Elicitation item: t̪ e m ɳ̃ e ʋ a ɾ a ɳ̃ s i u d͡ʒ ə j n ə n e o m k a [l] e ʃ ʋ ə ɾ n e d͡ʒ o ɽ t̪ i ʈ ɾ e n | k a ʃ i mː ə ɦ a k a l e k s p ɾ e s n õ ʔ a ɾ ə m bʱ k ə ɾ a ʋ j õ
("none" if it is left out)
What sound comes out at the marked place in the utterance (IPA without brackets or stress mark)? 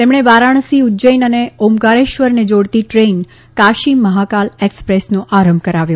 ɾ